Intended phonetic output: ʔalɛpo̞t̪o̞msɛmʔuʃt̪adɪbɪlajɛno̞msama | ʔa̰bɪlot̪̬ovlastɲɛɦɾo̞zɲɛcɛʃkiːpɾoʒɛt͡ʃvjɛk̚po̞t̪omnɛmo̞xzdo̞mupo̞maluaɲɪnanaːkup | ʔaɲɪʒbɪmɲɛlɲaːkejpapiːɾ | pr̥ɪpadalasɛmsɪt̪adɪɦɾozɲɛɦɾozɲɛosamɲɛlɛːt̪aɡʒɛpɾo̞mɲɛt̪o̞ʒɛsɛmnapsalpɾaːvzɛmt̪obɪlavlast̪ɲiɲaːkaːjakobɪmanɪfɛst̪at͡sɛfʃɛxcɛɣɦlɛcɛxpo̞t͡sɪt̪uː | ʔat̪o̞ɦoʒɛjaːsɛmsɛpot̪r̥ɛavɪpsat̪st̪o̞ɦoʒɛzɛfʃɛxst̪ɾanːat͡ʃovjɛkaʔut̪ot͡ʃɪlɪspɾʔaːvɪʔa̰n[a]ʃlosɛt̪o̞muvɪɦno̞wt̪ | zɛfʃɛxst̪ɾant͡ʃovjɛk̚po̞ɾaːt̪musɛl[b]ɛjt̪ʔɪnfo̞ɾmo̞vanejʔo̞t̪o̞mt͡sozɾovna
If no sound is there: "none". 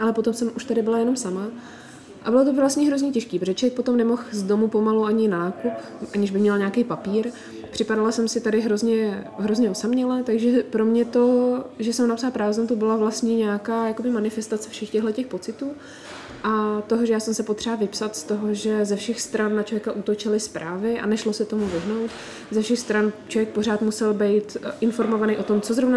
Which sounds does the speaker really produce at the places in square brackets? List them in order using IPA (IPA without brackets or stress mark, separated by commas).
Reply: ɛ, b